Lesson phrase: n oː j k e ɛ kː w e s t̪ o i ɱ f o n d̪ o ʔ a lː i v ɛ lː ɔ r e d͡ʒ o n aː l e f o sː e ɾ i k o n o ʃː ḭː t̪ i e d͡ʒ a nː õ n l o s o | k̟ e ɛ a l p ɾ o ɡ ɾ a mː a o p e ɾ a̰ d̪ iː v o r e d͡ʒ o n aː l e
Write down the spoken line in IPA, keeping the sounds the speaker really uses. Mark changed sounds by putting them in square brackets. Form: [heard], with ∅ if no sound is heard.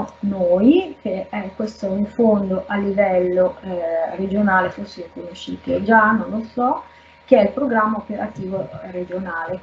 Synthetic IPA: n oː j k e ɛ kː w e s t̪ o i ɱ f o n d̪ o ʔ a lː i v ɛ lː [o] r e d͡ʒ o n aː l e f o sː e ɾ i k o n o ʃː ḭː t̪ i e d͡ʒ a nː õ n l o s [ɔ] | k̟ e ɛ [i] l p ɾ o ɡ ɾ a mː a o p e ɾ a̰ [t̪] iː v o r e d͡ʒ o n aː l e